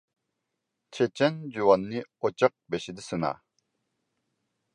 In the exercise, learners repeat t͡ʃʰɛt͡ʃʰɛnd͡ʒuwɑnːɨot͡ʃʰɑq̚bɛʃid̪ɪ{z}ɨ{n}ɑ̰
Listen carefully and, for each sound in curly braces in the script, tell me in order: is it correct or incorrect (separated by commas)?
incorrect, correct